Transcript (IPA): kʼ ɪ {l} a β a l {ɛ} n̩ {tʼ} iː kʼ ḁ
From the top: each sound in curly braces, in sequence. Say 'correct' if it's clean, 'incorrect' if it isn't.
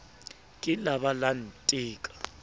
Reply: correct, incorrect: a, correct

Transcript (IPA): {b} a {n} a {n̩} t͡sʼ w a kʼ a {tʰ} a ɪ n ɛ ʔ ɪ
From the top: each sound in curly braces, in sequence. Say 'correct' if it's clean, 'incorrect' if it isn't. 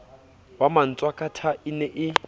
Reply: incorrect: w, incorrect: m, correct, correct

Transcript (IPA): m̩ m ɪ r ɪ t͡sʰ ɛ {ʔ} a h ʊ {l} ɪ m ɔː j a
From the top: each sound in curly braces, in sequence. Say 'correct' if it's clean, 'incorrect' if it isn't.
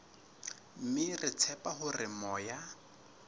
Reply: incorrect: p, incorrect: r

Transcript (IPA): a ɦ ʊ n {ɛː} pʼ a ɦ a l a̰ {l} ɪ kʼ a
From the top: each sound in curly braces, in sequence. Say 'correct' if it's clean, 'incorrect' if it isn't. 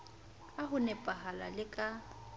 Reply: incorrect: ɛ, correct

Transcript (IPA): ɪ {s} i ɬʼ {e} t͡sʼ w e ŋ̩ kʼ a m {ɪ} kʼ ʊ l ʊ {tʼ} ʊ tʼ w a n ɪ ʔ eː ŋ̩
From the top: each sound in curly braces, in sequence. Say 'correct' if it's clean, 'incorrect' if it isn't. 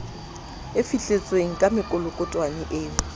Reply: incorrect: f, correct, correct, incorrect: kʼ

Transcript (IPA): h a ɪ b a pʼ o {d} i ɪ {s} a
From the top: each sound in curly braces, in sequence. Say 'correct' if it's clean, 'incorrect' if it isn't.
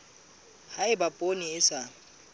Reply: incorrect: n, correct

